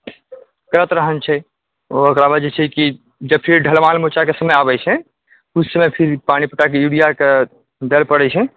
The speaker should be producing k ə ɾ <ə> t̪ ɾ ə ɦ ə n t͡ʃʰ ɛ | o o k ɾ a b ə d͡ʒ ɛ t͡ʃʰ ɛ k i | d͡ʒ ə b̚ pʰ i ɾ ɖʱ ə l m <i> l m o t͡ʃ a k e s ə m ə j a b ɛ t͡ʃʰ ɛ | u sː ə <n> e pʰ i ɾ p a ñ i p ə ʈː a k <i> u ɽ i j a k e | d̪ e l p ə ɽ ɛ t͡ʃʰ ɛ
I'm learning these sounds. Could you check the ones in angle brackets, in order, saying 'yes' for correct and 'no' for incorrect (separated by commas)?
yes, no, no, no